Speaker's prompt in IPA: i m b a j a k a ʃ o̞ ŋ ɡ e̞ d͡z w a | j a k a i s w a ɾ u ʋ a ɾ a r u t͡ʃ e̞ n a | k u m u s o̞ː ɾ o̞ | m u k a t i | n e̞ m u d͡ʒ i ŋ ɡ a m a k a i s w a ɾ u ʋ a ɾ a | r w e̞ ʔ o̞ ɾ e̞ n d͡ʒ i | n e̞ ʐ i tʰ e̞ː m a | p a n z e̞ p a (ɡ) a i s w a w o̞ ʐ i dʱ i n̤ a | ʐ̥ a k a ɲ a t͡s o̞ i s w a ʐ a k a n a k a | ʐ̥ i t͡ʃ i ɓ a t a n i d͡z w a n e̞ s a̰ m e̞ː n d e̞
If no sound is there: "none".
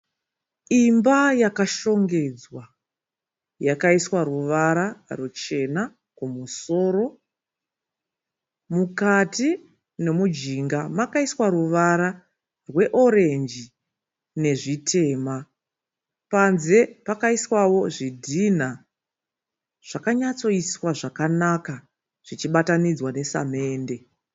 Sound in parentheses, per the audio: k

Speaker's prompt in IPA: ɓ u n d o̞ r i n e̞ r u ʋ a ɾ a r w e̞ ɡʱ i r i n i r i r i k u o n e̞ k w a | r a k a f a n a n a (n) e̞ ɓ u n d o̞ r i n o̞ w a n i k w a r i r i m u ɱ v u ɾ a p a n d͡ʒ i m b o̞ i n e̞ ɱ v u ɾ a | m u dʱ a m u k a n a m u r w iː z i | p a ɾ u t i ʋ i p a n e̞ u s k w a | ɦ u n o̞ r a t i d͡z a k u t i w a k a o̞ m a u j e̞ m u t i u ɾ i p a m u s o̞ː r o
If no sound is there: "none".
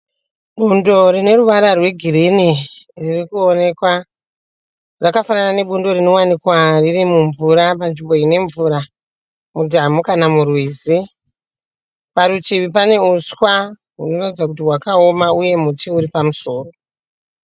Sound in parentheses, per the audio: n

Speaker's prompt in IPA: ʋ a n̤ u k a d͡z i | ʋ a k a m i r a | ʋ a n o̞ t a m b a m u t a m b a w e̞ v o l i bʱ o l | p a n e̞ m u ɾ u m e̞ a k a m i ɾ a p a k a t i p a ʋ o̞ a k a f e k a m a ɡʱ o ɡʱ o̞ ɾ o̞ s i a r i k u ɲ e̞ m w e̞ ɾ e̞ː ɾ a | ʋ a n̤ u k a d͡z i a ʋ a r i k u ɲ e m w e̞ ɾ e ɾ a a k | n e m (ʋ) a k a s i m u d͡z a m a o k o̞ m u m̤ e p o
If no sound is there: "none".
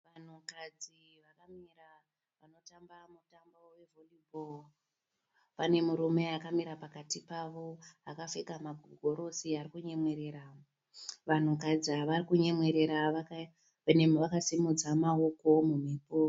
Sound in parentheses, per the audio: ʋ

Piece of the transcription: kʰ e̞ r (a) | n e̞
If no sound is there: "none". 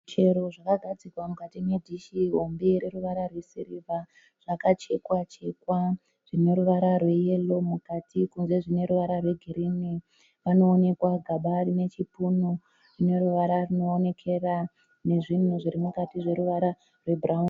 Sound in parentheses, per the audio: a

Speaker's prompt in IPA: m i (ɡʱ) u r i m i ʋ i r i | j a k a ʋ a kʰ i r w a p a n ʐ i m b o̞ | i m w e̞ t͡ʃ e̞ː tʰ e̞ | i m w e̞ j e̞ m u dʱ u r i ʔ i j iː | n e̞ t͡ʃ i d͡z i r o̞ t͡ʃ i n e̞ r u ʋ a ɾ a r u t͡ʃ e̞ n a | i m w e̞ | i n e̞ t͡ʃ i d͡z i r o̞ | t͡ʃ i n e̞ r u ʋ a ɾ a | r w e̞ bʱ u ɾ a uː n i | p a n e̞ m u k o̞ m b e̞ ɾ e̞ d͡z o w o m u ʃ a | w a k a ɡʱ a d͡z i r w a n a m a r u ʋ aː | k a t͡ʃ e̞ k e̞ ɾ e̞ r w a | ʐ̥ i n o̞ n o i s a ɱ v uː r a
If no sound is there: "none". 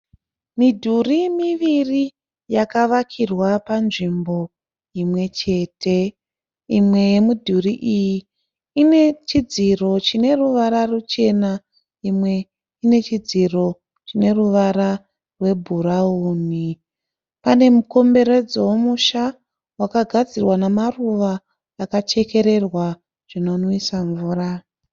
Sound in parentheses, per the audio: dʱ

